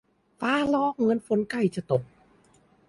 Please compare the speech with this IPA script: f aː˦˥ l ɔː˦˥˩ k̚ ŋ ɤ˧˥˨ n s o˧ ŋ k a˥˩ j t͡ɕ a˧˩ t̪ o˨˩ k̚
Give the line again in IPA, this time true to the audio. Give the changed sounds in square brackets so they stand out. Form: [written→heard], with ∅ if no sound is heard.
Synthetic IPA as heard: f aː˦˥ l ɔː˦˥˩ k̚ ŋ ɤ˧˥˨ n [s→f] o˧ [ŋ→n] k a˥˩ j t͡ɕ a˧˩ t̪ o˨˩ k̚

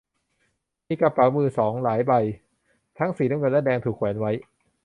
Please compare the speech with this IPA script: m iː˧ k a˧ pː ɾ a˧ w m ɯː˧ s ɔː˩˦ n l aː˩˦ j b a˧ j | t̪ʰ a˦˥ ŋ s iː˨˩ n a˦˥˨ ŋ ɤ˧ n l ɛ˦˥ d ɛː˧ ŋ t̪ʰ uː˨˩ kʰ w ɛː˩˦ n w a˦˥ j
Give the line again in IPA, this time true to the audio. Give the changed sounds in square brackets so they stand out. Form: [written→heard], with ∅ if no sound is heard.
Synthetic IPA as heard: m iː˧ k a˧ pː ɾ [a˧→a˩˦] w m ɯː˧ s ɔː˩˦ [n→ŋ] l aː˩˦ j b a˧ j | t̪ʰ a˦˥ ŋ s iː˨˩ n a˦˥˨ ŋ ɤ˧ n l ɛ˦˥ d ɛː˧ ŋ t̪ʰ uː˨˩ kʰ w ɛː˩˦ n w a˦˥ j

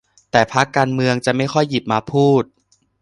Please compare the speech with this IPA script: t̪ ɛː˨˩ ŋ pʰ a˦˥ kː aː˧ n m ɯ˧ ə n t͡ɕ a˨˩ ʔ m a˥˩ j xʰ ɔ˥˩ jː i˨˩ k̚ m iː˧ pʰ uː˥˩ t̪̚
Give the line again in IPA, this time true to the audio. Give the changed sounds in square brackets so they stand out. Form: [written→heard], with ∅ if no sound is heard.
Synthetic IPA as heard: t̪ ɛː˨˩ [ŋ→∅] pʰ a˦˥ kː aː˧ n m ɯ˧ ə [n→ŋ] t͡ɕ a˨˩ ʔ m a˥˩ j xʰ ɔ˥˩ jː i˨˩ [k̚→p̚] m [iː˧→aː˧] pʰ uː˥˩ t̪̚

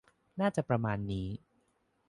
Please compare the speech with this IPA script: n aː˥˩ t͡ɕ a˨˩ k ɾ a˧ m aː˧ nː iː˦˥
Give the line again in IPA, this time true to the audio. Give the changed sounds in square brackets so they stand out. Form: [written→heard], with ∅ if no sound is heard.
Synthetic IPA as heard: n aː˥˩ t͡ɕ a˨˩ [k→p] ɾ a˧ m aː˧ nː iː˦˥

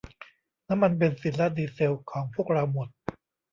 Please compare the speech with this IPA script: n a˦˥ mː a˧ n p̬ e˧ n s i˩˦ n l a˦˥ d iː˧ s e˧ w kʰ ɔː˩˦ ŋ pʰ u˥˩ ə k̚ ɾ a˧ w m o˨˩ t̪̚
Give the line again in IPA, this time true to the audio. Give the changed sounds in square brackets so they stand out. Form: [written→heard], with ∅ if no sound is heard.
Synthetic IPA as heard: n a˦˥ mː a˧ n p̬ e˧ n s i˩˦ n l a˦˥ d iː˧ s e˧ w kʰ ɔː˩˦ ŋ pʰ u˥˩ ə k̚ ɾ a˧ w m o˨˩ t̪̚

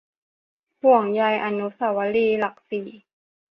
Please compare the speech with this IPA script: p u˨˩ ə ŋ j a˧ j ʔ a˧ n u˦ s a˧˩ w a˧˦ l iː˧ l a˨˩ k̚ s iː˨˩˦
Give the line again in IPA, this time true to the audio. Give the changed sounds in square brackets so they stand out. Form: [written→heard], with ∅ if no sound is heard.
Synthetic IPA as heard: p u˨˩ ə ŋ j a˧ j ʔ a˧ n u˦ s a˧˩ w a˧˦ l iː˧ l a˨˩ k̚ s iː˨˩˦

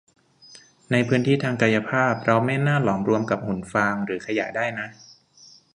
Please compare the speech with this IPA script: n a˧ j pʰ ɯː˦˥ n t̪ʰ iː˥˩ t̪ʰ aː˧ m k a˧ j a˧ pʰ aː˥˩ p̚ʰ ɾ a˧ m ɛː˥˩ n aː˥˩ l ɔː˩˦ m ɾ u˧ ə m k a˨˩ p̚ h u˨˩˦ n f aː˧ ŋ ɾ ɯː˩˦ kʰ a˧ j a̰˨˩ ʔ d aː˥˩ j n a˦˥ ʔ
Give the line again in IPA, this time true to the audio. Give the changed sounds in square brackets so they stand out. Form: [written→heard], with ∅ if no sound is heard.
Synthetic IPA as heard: n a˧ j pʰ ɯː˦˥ n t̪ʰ iː˥˩ t̪ʰ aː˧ [m→ŋ] k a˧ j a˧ pʰ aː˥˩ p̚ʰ ɾ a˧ m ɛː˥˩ n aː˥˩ l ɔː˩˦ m ɾ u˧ ə m k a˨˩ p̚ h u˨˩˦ n f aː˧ ŋ ɾ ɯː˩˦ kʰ a˧ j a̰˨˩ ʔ d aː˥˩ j n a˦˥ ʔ

